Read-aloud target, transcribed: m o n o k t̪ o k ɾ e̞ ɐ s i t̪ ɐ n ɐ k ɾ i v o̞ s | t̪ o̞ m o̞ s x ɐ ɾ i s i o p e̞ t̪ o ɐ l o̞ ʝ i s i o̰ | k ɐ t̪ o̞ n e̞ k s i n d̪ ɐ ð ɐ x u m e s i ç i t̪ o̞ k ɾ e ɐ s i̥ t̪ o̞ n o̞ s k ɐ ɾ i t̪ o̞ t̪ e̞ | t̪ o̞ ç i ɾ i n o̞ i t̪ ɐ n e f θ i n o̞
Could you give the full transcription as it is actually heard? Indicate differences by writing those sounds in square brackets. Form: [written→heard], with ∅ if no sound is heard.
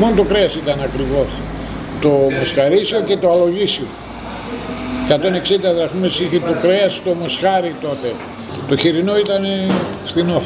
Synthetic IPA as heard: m o n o [k→∅] t̪ o k ɾ e̞ ɐ s i t̪ ɐ n ɐ k ɾ i v o̞ s | t̪ o̞ m o̞ s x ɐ ɾ i s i o [p→c] e̞ t̪ o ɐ l o̞ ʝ i s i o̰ | k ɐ t̪ o̞ n e̞ k s i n d̪ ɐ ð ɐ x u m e s i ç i t̪ o̞ k ɾ e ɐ s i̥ t̪ o̞ [n→m] o̞ s [k→x] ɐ ɾ i t̪ o̞ t̪ e̞ | t̪ o̞ ç i ɾ i n o̞ i t̪ ɐ n e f θ i n o̞